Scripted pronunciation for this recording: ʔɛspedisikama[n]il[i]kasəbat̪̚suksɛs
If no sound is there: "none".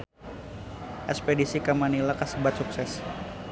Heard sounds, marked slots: n, a

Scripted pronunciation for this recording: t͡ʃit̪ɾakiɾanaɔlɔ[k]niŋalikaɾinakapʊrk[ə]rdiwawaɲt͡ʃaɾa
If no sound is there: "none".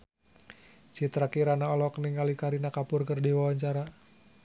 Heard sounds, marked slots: k, ə

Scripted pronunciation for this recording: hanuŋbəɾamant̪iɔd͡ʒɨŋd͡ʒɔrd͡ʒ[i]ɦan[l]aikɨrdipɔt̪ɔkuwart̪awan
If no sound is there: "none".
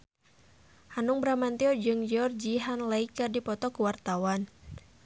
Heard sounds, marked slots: i, l

